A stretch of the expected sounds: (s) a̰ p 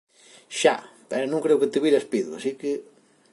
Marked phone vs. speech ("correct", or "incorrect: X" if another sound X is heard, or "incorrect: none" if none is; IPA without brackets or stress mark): incorrect: ʃ